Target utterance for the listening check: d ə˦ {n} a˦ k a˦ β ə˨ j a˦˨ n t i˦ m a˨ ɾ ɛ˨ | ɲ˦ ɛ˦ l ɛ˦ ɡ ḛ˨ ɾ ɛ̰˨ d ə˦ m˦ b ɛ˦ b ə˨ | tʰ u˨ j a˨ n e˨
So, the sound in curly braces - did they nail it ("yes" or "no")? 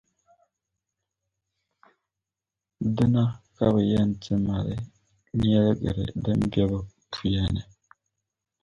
yes